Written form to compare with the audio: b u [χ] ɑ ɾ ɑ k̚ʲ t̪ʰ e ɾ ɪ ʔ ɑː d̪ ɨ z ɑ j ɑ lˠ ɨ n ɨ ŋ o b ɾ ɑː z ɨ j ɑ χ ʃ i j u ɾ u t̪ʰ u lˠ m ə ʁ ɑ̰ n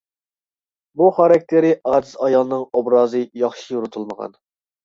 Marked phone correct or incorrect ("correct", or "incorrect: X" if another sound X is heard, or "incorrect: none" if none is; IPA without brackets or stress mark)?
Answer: correct